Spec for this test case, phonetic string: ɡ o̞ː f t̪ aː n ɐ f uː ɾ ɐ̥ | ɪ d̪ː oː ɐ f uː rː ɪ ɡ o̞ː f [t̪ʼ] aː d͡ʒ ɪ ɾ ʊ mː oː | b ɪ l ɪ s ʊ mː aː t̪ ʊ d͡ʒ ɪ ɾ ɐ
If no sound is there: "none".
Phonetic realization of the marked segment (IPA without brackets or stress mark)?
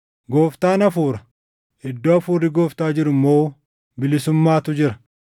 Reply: t̪